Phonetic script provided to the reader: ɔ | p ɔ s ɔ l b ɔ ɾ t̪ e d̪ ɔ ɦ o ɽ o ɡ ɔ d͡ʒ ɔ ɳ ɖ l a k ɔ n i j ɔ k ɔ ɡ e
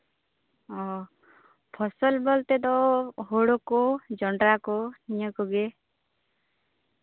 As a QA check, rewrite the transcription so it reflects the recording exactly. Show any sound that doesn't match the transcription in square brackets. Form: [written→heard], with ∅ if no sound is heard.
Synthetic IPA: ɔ | [p→pʰ] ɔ s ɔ l b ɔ [ɾ→l] t̪ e d̪ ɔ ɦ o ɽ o [ɡ→k] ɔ d͡ʒ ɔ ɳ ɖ [l→ɾ] a k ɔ n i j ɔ k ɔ ɡ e